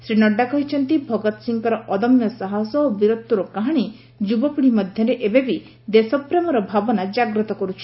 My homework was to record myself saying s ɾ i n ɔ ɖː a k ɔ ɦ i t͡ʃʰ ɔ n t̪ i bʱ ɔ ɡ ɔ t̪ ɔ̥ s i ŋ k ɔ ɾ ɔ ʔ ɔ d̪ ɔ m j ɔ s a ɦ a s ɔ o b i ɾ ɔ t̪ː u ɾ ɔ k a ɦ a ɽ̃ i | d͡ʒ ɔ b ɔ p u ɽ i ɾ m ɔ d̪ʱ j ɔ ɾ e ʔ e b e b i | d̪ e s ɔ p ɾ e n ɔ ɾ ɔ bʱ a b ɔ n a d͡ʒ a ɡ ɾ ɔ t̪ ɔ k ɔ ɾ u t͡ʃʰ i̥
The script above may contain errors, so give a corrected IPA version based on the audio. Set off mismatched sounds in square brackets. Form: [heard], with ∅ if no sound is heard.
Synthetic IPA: s ɾ i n ɔ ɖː a k ɔ ɦ i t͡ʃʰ ɔ n t̪ i bʱ ɔ ɡ ɔ t̪ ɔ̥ s i ŋ k ɔ ɾ ɔ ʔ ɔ d̪ ɔ m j ɔ s a ɦ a s ɔ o b i ɾ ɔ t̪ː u ɾ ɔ k a ɦ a ɽ̃ i | d͡ʒ [u] b ɔ p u ɽ i [∅] m ɔ d̪ʱ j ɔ ɾ e ʔ e b e b i | d̪ e s ɔ p ɾ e [m] ɔ ɾ ɔ bʱ a b ɔ n a d͡ʒ a ɡ ɾ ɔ t̪ ɔ k ɔ ɾ u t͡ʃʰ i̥

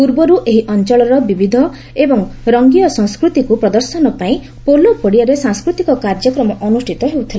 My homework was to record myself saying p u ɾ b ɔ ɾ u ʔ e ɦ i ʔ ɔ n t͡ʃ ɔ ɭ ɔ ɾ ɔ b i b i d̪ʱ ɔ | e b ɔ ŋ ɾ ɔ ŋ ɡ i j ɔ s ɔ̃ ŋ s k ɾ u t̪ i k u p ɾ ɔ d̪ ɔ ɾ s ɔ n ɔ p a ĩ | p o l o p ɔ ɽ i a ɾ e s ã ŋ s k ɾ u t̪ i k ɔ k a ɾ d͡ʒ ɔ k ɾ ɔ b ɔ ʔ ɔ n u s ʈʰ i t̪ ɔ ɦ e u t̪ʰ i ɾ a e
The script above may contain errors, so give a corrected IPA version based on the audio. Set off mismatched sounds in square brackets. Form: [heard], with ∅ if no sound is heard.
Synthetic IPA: p u ɾ b ɔ ɾ u ʔ e ɦ i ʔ ɔ n t͡ʃ ɔ ɭ ɔ ɾ ɔ b i b i d̪ʱ ɔ | e b ɔ ŋ ɾ ɔ ŋ ɡ i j ɔ s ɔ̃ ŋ s k ɾ u t̪ i k u p ɾ ɔ d̪ ɔ ɾ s ɔ n ɔ p a ĩ | p o l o p ɔ ɽ i a ɾ e s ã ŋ s k ɾ u t̪ i k ɔ k a ɾ d͡ʒ ɔ k ɾ ɔ [m] ɔ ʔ ɔ n u s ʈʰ i t̪ ɔ ɦ e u t̪ʰ i [l] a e

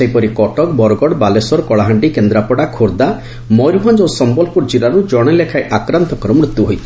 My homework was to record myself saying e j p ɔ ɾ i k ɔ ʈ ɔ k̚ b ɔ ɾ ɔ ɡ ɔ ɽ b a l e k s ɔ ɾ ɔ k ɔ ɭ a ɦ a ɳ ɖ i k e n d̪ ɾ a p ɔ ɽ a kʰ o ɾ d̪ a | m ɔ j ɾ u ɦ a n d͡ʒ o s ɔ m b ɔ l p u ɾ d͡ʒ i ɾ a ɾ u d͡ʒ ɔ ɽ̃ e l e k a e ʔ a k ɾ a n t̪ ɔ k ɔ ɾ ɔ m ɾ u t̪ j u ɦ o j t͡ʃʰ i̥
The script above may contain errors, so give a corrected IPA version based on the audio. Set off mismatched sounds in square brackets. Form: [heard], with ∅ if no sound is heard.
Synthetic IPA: e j p ɔ ɾ i k ɔ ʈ ɔ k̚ b ɔ ɾ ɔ ɡ ɔ ɽ b a l e [∅] s ɔ ɾ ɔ k ɔ ɭ a ɦ a ɳ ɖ i k e n d̪ ɾ a p ɔ ɽ a kʰ o ɾ d̪ a | m ɔ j ɾ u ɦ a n d͡ʒ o s ɔ m b ɔ l p u ɾ d͡ʒ i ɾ a ɾ u d͡ʒ ɔ ɽ̃ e l e [kʰ] a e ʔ a k ɾ a n t̪ ɔ k ɔ ɾ ɔ m ɾ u t̪ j u ɦ o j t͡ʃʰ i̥

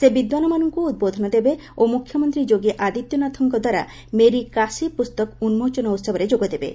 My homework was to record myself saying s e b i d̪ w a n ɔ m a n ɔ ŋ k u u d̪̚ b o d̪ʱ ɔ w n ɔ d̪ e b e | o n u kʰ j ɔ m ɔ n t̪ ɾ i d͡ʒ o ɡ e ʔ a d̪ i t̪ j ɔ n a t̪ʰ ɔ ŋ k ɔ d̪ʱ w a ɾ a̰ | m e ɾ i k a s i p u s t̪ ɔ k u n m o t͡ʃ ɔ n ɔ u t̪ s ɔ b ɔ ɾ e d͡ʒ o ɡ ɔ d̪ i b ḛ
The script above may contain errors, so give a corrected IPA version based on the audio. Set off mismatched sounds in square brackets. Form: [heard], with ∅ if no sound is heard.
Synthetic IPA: s e b i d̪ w a n ɔ m a n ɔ ŋ k u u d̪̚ b o d̪ʱ ɔ [∅] n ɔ d̪ e b e | o [m] u kʰ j ɔ m ɔ n t̪ ɾ i d͡ʒ o ɡ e ʔ a d̪ i t̪ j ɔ n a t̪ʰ ɔ ŋ k ɔ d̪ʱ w a ɾ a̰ | m e ɾ i k a s i p u s t̪ ɔ k u n m o t͡ʃ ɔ n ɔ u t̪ s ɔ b ɔ ɾ e d͡ʒ o ɡ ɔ d̪ [e] b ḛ

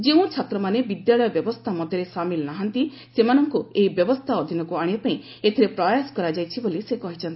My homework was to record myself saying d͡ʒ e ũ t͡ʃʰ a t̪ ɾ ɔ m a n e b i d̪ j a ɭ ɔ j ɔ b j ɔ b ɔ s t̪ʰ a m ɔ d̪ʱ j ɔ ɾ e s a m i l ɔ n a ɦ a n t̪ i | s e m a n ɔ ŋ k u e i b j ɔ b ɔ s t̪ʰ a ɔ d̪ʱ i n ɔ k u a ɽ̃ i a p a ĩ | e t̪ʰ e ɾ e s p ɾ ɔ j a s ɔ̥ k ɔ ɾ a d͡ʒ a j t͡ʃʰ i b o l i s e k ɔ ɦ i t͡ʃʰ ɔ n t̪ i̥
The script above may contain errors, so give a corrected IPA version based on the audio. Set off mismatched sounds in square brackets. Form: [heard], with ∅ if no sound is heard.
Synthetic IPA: d͡ʒ e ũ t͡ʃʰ a t̪ ɾ ɔ m a n e b i d̪ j a ɭ ɔ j ɔ b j ɔ b ɔ s t̪ʰ a m ɔ d̪ʱ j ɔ ɾ e s a m i l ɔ n a ɦ a n t̪ i | s e m a n ɔ ŋ k u e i b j ɔ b ɔ s t̪ʰ a ɔ d̪ʱ i n ɔ k u a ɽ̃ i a p a ĩ | e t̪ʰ [i] ɾ e [∅] p ɾ ɔ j a s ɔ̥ k ɔ ɾ a d͡ʒ a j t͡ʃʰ i b o l i s e k ɔ ɦ i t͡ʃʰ ɔ n t̪ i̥

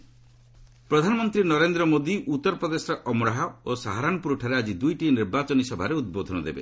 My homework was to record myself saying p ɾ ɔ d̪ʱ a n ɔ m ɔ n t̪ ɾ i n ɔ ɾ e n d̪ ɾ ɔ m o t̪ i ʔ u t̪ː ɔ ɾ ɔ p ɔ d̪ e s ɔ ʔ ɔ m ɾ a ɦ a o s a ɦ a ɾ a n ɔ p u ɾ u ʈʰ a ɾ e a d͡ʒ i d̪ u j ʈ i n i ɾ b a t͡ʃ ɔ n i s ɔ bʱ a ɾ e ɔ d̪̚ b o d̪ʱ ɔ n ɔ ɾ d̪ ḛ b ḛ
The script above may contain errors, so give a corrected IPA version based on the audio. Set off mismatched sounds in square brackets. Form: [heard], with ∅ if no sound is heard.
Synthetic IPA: p ɾ ɔ d̪ʱ a n ɔ m ɔ n t̪ ɾ i n ɔ ɾ e n d̪ ɾ ɔ m o [d̪] i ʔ u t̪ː ɔ ɾ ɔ p ɔ d̪ e s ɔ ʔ ɔ m ɾ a ɦ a o s a ɦ a ɾ a n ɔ p u ɾ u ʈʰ a ɾ e a d͡ʒ i d̪ u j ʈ i n i ɾ b a t͡ʃ ɔ n i s ɔ bʱ a ɾ e [u] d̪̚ b o d̪ʱ ɔ n ɔ [∅] d̪ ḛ b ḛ

